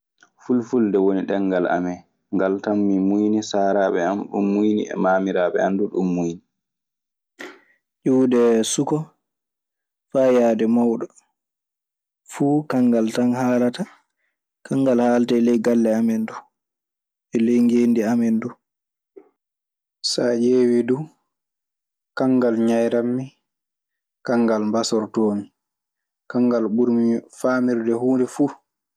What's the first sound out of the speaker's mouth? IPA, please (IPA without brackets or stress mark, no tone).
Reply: f